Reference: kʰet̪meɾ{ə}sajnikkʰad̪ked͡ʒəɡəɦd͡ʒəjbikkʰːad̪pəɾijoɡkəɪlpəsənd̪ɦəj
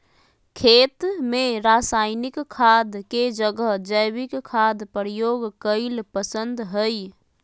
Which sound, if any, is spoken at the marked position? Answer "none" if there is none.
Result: a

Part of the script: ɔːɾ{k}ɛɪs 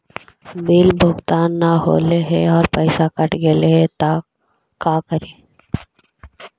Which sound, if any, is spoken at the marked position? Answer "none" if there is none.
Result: p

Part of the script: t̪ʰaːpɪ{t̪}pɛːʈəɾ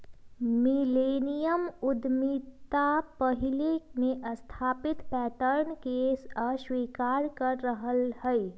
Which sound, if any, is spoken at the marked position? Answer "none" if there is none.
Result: t̪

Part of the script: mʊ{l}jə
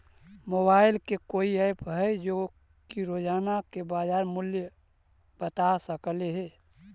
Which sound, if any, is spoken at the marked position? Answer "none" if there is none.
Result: l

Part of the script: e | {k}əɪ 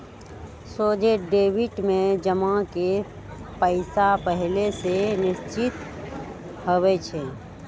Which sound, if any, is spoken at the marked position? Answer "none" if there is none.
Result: p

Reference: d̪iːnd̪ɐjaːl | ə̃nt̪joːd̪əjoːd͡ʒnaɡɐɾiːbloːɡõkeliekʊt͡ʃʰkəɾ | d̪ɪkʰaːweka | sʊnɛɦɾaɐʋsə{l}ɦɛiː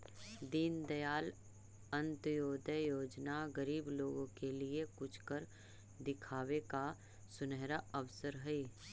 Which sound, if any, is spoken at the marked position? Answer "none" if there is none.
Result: ɾ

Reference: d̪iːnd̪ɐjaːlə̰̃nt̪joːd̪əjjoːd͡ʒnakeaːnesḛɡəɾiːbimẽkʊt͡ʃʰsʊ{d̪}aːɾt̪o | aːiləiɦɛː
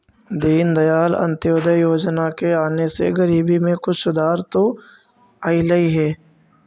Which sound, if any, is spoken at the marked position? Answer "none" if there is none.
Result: d̪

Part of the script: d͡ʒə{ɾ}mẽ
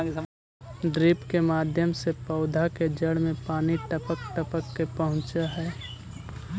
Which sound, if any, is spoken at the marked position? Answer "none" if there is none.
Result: ɽ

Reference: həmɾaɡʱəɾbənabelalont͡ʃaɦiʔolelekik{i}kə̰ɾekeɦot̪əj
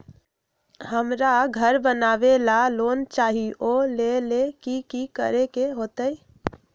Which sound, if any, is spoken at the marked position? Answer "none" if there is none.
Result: i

